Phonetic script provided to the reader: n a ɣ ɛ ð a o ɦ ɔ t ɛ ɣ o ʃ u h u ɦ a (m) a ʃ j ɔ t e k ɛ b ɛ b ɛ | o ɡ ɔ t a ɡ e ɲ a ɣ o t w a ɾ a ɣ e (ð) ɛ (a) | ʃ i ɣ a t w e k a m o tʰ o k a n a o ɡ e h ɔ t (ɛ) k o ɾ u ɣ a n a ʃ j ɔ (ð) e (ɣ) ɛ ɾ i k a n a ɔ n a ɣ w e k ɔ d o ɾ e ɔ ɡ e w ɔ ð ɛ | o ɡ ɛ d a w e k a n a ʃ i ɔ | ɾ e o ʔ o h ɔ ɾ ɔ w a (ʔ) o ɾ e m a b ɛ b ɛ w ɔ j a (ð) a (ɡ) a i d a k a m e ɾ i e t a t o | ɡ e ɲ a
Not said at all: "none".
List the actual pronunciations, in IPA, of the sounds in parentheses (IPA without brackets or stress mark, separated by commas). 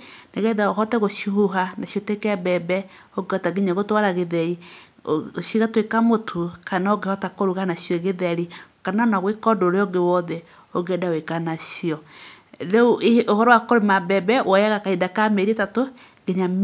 n, ð, i, a, ɣ, ð, k, ɣ, k